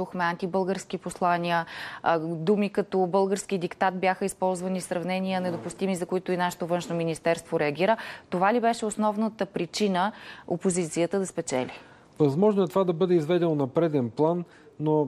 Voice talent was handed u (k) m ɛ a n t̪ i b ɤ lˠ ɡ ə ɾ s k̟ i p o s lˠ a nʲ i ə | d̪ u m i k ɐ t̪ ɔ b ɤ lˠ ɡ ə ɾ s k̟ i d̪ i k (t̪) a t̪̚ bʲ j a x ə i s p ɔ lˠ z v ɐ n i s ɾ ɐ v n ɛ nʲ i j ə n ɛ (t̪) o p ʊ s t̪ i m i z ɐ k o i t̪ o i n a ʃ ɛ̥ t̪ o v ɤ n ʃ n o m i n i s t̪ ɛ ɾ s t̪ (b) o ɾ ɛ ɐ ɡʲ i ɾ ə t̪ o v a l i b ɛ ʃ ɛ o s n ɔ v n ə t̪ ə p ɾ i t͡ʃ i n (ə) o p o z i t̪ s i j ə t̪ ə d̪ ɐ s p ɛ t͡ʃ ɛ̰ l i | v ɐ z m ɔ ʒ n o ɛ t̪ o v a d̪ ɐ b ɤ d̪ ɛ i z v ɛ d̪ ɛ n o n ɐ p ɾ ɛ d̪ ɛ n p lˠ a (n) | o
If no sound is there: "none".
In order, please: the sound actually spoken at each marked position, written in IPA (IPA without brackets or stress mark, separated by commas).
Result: x, t̪, d̪, v, ə, nː